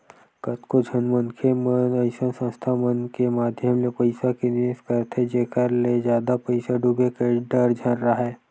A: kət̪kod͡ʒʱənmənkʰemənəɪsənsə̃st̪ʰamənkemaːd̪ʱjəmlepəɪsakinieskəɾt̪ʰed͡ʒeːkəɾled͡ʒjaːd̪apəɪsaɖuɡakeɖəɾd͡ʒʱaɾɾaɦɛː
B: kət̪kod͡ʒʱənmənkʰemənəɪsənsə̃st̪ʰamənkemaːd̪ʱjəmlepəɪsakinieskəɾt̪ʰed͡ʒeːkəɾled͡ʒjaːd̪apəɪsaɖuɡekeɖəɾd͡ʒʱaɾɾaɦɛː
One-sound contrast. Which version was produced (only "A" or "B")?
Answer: B